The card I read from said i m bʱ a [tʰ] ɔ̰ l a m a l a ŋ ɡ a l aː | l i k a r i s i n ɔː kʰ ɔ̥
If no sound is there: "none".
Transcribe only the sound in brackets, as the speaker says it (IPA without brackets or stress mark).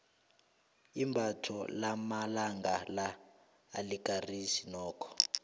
tʰ